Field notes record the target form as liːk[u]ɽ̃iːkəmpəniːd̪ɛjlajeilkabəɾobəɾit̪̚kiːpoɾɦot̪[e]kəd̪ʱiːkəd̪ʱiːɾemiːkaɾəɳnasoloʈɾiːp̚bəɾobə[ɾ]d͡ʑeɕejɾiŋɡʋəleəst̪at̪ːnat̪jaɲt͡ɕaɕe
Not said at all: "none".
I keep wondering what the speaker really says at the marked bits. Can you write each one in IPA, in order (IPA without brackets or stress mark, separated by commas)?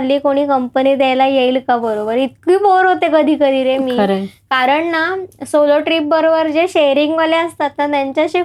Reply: o, e, ɾ